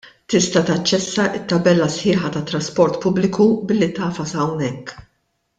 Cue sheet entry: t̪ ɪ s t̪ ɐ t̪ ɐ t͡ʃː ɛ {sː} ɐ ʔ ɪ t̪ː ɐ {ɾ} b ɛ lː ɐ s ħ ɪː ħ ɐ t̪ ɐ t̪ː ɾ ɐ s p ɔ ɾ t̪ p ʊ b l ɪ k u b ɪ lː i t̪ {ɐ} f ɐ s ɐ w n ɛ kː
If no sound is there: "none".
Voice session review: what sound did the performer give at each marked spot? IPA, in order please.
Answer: sː, none, ɐː

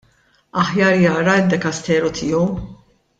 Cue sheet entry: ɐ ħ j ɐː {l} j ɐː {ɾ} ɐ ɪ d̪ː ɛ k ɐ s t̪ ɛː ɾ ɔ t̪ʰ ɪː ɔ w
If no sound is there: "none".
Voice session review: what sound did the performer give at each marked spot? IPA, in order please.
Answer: ɾ, ɾ

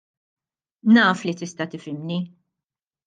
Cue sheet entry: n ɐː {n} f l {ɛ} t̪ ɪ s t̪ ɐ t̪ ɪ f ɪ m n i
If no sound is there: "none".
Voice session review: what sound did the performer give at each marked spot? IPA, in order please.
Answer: none, i

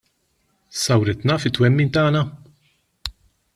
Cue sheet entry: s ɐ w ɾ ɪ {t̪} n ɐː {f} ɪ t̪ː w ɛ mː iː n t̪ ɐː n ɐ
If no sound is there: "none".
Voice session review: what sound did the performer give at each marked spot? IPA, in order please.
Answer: t̪, f

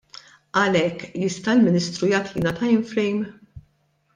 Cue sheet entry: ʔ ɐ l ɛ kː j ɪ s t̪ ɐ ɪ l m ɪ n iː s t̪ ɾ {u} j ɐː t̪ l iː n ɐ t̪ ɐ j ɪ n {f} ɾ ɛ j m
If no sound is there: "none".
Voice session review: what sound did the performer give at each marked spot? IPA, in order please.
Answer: u, f

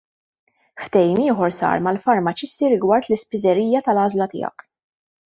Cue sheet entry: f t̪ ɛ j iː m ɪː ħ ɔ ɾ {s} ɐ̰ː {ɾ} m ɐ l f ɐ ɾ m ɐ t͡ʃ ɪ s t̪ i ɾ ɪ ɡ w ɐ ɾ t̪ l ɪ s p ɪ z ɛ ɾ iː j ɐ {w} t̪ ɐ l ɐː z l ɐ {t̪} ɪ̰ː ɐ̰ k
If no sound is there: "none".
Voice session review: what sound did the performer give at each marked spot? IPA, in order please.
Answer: s, ɾ, none, t̪

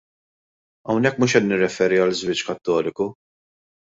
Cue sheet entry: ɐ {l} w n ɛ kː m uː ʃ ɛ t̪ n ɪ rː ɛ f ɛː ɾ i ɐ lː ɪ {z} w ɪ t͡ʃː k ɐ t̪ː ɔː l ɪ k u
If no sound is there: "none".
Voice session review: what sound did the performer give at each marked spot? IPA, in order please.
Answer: none, z

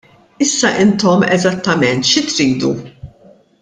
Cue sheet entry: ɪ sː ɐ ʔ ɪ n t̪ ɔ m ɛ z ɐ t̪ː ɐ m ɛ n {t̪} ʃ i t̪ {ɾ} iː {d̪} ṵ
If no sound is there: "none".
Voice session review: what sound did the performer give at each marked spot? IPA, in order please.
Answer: t̪, ɾ, d̪

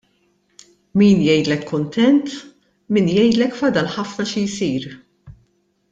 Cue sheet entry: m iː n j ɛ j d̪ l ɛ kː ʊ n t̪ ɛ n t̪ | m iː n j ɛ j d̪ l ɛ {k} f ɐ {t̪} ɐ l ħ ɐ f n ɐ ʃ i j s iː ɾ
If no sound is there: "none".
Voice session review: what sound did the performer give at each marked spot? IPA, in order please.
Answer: k, d̪

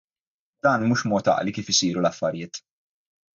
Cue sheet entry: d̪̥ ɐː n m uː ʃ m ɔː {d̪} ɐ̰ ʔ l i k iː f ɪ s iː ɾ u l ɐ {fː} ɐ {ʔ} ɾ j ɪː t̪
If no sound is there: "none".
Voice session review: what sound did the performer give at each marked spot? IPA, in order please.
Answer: t̪, fː, none

